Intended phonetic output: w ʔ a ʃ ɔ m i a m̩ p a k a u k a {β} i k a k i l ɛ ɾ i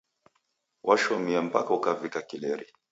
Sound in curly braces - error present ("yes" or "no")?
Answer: yes